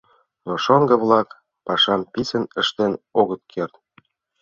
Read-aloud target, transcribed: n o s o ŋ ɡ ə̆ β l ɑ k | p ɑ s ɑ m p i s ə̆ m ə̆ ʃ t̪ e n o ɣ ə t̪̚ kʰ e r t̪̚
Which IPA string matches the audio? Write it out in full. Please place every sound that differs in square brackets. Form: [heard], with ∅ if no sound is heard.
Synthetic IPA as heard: n o [ʃ] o ŋ ɡ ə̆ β l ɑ k | p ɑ [ʃ] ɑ m p i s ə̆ [n] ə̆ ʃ t̪ e n o ɣ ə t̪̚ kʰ e r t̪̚